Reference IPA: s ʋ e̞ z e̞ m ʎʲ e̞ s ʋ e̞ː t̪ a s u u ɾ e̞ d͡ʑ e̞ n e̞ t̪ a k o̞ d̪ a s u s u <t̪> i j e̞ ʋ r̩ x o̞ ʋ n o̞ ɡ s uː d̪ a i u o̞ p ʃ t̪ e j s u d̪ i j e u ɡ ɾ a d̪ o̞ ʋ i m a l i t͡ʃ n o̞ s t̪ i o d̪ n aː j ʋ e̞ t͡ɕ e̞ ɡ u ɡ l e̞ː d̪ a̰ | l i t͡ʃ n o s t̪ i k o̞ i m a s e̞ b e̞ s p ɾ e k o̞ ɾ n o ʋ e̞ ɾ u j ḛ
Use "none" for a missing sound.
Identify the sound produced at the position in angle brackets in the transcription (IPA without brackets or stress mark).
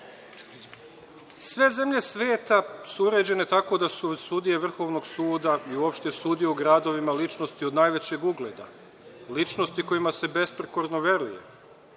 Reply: d̪